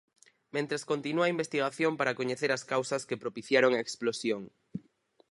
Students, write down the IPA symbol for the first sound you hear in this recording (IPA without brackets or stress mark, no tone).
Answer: m